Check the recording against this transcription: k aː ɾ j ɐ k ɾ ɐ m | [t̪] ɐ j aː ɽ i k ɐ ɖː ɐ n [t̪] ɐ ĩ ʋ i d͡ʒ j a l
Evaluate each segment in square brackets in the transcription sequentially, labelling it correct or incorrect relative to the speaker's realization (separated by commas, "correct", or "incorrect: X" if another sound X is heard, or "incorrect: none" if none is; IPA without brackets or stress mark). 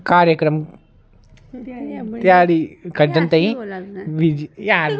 correct, correct